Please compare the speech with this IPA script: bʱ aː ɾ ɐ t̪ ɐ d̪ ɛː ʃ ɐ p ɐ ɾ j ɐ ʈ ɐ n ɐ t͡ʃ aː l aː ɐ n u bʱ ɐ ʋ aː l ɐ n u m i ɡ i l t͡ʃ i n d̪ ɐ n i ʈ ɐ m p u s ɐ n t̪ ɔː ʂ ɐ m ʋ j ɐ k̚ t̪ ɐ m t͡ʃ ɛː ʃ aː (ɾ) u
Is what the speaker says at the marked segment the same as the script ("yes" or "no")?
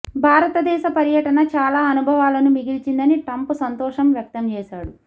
no